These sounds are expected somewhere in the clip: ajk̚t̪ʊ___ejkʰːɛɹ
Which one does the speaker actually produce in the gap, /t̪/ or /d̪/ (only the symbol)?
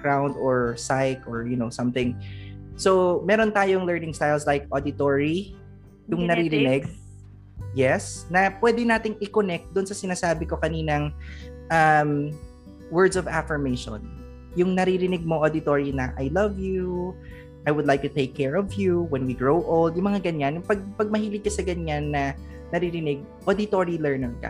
t̪